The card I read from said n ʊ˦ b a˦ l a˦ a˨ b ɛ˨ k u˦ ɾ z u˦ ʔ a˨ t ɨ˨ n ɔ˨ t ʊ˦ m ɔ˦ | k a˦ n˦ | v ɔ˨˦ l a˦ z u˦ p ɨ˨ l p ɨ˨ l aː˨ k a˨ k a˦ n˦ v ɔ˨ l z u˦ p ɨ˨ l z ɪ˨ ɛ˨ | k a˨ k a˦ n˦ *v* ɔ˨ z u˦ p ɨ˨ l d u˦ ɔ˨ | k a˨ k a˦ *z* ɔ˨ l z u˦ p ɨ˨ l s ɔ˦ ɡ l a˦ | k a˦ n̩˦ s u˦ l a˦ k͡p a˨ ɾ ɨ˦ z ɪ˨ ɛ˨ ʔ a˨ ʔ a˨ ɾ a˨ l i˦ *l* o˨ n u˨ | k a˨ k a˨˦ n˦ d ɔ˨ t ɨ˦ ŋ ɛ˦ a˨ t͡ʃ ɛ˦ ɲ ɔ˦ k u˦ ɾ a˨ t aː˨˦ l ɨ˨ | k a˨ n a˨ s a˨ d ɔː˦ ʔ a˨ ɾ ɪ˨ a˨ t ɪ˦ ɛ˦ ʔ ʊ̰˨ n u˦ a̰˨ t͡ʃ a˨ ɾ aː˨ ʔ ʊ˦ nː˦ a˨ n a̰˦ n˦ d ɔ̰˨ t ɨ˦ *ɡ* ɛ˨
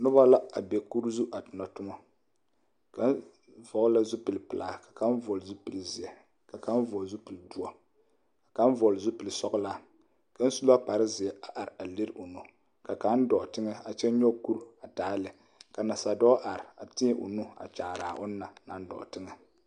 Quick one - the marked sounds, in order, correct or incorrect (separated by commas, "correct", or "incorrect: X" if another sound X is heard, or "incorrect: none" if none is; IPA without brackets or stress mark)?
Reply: correct, incorrect: v, incorrect: ɾ, incorrect: ŋ